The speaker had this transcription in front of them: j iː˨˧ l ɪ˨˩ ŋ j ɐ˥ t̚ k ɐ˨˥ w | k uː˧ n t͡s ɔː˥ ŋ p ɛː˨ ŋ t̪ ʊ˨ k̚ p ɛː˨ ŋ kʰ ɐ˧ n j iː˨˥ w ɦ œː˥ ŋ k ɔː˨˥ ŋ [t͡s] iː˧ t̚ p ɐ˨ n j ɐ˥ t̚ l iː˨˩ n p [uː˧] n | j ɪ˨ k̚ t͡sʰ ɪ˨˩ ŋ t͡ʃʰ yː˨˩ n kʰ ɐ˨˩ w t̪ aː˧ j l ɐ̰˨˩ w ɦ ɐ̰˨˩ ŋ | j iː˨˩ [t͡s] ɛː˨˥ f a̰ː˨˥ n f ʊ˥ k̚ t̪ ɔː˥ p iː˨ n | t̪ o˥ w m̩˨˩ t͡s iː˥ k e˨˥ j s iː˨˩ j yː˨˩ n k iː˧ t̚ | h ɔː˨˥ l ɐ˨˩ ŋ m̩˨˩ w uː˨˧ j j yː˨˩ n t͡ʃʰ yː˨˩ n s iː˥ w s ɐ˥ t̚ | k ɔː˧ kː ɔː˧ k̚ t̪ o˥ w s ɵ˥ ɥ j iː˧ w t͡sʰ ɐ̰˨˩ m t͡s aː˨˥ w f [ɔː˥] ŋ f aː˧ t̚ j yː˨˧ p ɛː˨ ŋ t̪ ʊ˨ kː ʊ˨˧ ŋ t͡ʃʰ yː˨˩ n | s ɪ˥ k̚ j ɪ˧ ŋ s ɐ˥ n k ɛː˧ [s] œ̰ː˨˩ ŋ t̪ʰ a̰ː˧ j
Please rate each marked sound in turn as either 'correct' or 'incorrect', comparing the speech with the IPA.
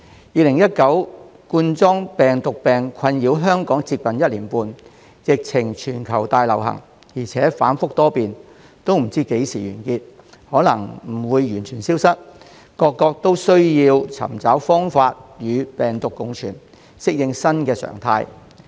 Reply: correct, correct, incorrect, correct, correct

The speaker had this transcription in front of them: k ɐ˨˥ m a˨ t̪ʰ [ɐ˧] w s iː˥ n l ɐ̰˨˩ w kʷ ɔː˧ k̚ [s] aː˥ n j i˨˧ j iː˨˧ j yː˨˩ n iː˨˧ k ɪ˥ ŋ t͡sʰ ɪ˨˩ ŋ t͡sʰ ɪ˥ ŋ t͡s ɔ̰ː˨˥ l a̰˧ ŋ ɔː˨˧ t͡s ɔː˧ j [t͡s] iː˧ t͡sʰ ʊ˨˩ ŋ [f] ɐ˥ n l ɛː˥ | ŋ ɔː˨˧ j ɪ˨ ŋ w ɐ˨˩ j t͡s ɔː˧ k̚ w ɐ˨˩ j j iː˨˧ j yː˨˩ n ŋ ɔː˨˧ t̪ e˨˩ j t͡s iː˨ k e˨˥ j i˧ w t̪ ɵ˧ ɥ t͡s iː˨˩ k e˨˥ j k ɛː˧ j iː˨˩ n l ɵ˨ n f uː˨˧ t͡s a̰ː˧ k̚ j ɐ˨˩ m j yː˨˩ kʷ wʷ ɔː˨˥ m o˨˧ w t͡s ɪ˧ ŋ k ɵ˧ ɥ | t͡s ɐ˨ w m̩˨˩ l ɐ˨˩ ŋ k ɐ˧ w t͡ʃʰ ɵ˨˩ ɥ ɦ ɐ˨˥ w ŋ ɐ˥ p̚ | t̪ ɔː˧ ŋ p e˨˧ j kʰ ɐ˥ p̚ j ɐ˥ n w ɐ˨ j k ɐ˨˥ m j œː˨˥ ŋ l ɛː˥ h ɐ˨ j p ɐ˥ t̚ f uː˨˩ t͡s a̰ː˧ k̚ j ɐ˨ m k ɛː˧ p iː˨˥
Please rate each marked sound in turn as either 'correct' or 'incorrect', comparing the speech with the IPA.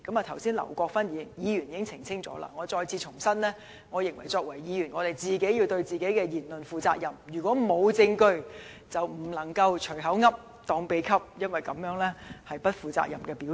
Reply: incorrect, incorrect, incorrect, incorrect

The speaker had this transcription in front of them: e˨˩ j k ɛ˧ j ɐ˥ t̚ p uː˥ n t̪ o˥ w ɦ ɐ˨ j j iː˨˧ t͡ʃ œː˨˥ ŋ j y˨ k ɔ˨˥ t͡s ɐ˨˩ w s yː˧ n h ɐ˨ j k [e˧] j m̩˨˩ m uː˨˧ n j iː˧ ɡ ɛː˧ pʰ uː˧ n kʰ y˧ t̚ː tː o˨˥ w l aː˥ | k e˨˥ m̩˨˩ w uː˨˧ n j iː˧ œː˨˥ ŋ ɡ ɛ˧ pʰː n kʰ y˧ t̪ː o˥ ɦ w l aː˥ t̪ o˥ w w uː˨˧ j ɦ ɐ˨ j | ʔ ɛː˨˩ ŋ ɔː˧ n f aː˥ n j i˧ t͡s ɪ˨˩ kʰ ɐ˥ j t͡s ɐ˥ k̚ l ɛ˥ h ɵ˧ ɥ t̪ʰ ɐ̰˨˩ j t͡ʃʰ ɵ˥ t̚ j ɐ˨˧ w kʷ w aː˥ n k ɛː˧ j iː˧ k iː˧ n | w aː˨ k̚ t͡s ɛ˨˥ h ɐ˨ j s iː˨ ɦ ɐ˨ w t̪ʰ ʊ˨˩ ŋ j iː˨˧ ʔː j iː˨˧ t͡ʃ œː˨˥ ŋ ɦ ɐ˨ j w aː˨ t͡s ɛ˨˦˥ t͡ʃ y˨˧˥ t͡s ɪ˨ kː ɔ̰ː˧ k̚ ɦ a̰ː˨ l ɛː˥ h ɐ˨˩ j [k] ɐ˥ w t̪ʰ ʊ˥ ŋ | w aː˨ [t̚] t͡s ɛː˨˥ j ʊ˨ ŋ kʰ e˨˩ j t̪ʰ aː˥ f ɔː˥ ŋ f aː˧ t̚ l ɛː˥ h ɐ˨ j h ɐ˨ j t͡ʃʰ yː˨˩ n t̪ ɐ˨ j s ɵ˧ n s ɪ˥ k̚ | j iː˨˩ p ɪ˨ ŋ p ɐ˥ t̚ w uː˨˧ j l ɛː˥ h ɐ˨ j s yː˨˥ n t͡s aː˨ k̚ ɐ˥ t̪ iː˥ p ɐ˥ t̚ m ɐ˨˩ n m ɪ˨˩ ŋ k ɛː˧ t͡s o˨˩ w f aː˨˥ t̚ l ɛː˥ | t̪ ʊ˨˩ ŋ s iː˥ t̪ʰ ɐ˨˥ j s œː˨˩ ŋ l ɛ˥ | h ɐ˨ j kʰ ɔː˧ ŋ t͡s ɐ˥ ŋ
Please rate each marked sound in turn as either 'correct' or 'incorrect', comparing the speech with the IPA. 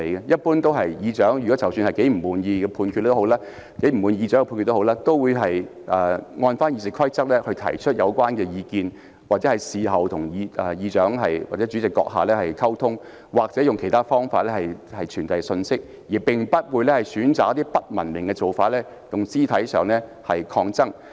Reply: incorrect, incorrect, incorrect

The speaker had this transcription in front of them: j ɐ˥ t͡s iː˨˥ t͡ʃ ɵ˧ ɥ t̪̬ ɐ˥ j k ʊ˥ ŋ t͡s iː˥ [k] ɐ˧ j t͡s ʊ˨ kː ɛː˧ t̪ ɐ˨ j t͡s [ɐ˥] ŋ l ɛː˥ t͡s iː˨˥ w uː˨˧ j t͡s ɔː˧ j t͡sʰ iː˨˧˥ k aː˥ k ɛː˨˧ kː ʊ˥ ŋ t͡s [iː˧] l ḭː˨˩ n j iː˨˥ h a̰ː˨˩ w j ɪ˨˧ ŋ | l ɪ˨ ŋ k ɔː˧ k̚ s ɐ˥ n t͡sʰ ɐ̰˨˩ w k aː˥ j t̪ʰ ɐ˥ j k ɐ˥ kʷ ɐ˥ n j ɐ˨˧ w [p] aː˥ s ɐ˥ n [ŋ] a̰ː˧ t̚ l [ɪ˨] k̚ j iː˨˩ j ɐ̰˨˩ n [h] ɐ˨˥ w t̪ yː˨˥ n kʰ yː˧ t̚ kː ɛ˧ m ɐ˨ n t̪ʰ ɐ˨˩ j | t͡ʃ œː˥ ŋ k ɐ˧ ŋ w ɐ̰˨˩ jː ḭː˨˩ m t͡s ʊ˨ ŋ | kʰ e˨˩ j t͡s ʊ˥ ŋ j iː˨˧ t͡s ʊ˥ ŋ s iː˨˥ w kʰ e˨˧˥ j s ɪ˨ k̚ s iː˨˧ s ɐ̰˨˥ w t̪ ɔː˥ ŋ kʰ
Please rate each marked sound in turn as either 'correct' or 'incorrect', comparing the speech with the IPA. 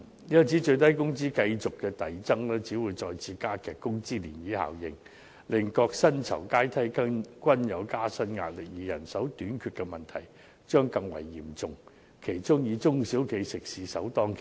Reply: correct, correct, incorrect, incorrect, correct, correct, incorrect

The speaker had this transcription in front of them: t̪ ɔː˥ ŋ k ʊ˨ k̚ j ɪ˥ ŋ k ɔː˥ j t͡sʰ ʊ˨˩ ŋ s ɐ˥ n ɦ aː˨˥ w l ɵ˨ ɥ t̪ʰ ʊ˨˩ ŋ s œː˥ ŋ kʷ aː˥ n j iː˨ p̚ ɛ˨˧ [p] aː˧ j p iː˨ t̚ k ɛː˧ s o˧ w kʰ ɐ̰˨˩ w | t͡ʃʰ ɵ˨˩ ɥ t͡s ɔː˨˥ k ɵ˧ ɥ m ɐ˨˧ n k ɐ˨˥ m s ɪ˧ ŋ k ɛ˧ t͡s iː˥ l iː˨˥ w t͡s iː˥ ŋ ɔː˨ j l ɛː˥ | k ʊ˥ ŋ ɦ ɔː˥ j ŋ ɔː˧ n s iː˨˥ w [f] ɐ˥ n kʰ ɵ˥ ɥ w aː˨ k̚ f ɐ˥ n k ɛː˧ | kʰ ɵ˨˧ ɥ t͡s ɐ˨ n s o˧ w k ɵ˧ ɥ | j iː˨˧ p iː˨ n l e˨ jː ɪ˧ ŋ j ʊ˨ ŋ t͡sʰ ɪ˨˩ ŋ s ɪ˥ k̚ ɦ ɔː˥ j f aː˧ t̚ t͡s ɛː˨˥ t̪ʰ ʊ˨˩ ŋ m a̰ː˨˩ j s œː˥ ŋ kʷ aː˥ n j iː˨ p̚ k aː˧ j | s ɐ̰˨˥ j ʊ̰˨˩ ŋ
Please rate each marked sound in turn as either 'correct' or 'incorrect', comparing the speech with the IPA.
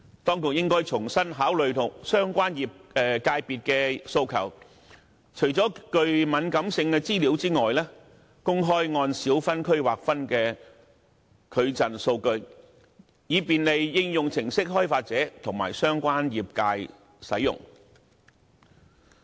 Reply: incorrect, correct

